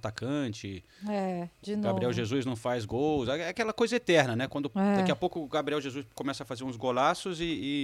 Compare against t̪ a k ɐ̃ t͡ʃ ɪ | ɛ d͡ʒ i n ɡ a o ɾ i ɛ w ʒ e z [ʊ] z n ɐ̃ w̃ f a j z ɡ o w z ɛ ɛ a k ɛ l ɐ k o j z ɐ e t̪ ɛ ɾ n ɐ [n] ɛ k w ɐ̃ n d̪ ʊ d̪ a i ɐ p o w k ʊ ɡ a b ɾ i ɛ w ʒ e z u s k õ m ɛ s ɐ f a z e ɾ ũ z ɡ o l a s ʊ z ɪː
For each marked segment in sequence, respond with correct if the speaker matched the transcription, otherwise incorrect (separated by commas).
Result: incorrect, correct